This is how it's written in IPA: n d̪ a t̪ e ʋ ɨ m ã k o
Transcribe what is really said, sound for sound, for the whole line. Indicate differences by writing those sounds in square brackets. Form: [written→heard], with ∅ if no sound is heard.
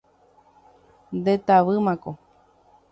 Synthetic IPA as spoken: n d̪ [a→e] t̪ [e→a] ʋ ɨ m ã k o